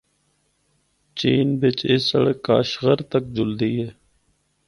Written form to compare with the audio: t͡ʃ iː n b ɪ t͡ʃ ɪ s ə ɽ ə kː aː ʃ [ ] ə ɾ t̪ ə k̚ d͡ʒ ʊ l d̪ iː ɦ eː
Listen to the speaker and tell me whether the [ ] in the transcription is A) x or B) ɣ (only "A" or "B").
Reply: B